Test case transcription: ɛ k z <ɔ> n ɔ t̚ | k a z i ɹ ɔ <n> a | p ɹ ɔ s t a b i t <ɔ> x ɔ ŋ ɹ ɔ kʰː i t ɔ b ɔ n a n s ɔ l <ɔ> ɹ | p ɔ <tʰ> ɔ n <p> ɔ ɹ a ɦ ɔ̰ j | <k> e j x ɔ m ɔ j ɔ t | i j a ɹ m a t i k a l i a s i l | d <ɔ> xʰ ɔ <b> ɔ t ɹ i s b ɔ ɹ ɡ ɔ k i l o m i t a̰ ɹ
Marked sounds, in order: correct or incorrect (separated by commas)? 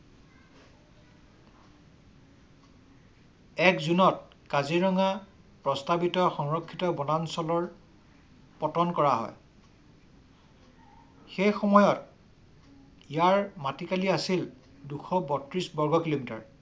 incorrect, incorrect, correct, correct, incorrect, incorrect, incorrect, incorrect, correct